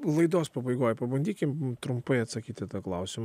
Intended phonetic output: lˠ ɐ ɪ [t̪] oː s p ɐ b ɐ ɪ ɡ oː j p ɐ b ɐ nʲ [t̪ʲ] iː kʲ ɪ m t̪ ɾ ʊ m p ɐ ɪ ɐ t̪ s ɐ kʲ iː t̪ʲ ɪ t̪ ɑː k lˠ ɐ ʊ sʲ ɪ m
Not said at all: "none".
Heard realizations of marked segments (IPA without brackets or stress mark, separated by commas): d̪, d̪ʲ